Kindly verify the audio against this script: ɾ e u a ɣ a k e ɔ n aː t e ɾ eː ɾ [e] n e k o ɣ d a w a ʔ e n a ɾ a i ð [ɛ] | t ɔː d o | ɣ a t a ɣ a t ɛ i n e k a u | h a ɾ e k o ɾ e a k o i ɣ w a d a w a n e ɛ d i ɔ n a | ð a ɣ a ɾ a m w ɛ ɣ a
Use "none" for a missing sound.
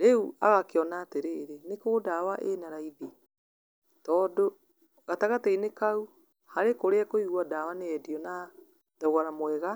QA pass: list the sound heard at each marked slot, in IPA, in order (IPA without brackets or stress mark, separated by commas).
e, i